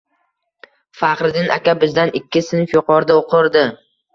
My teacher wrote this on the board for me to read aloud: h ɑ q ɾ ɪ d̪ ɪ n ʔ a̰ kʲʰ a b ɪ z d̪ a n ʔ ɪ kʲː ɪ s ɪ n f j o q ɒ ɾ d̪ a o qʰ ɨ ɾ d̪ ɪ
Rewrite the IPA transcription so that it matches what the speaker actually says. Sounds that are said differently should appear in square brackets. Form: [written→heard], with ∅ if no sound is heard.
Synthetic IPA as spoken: [h→f] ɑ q ɾ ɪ d̪ ɪ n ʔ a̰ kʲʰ a b ɪ z d̪ a n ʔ ɪ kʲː ɪ s ɪ n f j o q ɒ ɾ d̪ a o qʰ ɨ ɾ d̪ ɪ

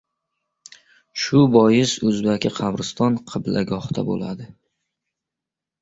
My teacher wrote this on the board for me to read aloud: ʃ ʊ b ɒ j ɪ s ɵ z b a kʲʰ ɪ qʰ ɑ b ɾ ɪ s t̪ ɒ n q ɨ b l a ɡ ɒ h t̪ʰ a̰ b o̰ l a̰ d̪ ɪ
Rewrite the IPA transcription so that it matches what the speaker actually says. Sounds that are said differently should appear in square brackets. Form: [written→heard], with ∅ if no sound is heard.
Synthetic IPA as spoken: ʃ ʊ b ɒ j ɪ s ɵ z b a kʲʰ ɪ qʰ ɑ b ɾ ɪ s t̪ ɒ n [q→qʰ] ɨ b l a ɡ ɒ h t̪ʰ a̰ b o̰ l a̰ d̪ ɪ

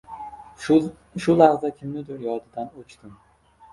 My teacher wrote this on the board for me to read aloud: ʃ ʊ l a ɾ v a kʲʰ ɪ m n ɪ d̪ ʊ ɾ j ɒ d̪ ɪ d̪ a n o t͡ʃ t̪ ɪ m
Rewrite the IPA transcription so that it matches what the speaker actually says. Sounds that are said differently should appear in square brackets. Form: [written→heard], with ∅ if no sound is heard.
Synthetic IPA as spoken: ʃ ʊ l a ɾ [v→z] a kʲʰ ɪ m n ɪ d̪ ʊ ɾ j ɒ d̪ ɪ d̪ a n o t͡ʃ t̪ ɪ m

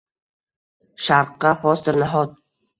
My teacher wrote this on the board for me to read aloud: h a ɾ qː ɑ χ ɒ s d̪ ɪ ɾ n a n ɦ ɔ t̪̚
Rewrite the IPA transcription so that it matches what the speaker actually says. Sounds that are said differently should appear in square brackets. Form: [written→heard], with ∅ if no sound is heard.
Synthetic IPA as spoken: [h→ʃ] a ɾ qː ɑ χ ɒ s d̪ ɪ ɾ n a [n→∅] ɦ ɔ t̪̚

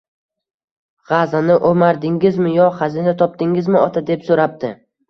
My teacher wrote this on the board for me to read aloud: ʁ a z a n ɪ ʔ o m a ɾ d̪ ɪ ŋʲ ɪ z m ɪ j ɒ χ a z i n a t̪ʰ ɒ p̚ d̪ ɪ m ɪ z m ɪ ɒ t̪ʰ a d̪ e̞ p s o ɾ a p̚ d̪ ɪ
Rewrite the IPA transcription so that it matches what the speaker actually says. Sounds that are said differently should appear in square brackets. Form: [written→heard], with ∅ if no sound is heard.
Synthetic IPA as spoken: ʁ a z a n ɪ ʔ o m a ɾ d̪ ɪ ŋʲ ɪ z m ɪ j ɒ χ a z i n a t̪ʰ ɒ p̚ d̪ ɪ [m→ŋ] ɪ z m ɪ ɒ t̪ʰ a d̪ e̞ p s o ɾ a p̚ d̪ ɪ

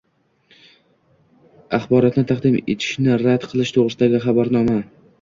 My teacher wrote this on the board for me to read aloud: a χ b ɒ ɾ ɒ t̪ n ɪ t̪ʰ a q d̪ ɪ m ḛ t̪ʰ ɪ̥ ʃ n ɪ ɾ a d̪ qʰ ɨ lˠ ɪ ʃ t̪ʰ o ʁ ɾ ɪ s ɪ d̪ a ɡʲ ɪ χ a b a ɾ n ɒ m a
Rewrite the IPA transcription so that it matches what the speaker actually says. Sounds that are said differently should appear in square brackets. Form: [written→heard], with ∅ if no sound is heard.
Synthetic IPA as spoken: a χ b ɒ ɾ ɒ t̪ n ɪ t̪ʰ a q d̪ ɪ m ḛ t̪ʰ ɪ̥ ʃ n ɪ ɾ a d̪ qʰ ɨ lˠ ɪ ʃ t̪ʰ o ʁ ɾ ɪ s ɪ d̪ a ɡʲ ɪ χ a b a ɾ n ɒ m a

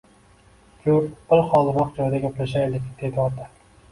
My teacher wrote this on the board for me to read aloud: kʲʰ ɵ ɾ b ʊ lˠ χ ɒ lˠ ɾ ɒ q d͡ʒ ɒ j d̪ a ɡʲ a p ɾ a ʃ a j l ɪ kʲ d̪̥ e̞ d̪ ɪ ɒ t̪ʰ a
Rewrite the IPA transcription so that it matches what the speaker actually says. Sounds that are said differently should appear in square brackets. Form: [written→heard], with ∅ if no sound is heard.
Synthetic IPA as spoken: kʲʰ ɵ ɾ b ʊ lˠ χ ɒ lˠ ɾ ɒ q d͡ʒ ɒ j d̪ a ɡʲ a p [ɾ→l] a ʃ a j l ɪ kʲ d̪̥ e̞ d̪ ɪ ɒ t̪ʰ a

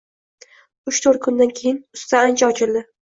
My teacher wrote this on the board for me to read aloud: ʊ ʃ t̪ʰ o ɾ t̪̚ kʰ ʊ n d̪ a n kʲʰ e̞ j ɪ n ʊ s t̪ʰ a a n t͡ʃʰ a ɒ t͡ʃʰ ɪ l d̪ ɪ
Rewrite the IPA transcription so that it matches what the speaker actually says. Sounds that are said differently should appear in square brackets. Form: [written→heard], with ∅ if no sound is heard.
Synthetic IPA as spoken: ʊ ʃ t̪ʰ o ɾ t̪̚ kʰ ʊ n d̪ a n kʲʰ e̞ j ɪ n ʊ s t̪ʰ a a n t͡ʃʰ a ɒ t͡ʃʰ ɪ l d̪ ɪ

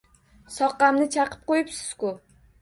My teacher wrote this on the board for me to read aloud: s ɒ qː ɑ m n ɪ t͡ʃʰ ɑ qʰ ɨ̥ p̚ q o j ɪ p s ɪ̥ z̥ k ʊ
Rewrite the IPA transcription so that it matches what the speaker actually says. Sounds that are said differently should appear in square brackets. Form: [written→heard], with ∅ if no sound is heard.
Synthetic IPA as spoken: s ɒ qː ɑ m n ɪ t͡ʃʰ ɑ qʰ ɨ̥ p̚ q o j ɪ p s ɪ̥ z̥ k ʊ

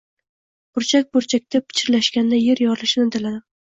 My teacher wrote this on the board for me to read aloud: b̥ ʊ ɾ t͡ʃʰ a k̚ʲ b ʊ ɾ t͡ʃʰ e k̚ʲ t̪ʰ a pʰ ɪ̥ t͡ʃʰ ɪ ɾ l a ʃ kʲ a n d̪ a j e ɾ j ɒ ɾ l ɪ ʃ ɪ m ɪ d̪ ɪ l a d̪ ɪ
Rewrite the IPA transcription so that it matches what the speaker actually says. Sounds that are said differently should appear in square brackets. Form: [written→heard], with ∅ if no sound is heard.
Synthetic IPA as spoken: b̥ ʊ ɾ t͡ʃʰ a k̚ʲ b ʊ ɾ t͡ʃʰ [e→a] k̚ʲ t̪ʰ a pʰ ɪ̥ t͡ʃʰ ɪ ɾ l a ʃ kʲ a n d̪ a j e ɾ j ɒ ɾ l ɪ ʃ ɪ [m→n] ɪ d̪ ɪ l a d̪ ɪ

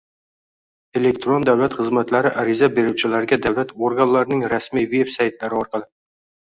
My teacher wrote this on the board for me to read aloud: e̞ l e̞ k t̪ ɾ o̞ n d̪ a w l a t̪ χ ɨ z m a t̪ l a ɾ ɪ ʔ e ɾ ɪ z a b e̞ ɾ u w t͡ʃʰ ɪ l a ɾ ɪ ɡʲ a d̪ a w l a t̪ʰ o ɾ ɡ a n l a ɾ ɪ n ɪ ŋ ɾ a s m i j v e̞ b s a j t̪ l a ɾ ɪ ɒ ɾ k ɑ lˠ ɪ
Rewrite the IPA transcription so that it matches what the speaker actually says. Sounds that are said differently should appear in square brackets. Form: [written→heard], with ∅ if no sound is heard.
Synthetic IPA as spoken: e̞ l e̞ k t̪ ɾ o̞ n d̪ a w l a t̪ χ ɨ z m a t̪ l a ɾ ɪ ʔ [e→a] ɾ ɪ z a b e̞ ɾ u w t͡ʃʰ ɪ l a ɾ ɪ ɡʲ a d̪ a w l a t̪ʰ o ɾ ɡ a n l a ɾ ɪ n ɪ ŋ ɾ a s m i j v e̞ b s a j t̪ l a ɾ ɪ ɒ ɾ [k→q] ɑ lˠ ɪ

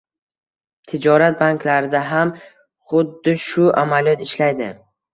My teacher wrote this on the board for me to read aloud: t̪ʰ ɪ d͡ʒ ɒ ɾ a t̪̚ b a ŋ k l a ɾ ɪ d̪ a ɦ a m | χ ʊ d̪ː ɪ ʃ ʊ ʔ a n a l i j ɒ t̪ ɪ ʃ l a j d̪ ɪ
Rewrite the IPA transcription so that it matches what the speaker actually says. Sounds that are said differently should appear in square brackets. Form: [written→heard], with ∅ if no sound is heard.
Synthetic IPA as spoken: t̪ʰ ɪ d͡ʒ ɒ ɾ a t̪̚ b a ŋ k l a ɾ ɪ d̪ a ɦ a m | χ ʊ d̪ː ɪ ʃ ʊ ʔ a [n→m] a l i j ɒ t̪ ɪ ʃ l a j d̪ ɪ

